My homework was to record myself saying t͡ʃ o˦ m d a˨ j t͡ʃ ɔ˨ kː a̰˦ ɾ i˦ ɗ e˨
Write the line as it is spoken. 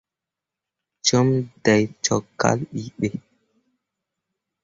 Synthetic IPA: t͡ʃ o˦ m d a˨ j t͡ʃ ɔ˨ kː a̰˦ l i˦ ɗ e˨